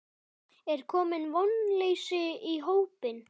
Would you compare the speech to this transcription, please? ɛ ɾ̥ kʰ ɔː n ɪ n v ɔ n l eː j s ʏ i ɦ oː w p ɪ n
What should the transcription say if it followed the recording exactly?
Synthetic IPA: ɛ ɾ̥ kʰ ɔː m ɪ n v ɔ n l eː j s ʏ i ɦ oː w p ɪ n